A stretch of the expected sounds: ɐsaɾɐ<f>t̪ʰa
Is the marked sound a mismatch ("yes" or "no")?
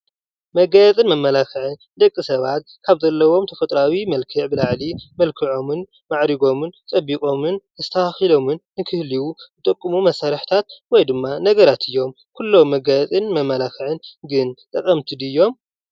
yes